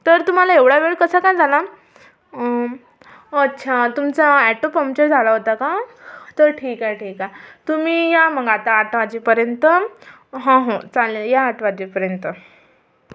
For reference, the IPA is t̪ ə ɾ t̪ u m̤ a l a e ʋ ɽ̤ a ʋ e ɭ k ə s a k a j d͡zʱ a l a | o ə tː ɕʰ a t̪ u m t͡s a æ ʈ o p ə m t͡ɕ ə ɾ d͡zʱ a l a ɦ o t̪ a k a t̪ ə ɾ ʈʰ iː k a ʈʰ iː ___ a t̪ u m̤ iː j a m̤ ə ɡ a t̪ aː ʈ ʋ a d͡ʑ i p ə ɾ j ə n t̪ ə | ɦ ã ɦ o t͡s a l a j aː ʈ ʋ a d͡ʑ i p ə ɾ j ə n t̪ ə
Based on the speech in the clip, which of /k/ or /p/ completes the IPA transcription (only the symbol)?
k